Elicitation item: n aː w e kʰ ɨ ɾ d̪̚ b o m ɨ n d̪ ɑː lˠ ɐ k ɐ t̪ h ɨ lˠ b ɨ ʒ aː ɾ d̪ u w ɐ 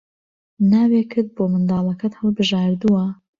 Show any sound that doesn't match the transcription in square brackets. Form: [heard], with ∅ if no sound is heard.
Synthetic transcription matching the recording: n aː w e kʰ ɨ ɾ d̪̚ b o m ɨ n d̪ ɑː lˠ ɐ k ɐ t̪ h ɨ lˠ b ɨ ʒ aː ɾ d̪ u w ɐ